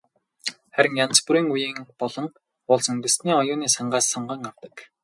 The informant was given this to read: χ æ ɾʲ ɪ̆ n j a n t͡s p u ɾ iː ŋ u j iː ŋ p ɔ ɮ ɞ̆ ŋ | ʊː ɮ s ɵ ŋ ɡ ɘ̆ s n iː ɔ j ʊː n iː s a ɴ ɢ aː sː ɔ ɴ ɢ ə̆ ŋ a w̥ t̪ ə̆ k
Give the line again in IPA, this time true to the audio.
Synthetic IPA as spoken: χ æ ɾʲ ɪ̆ ŋ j a n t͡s p u ɾ iː ŋ u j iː ŋ p ɔ ɮ ɞ̆ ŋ | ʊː ɮ s ɵ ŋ ɡ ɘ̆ s n iː ɔ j ʊː n iː s a ɴ ɢ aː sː ɔ ɴ ɢ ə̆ ŋ a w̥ t̪ ə̆ k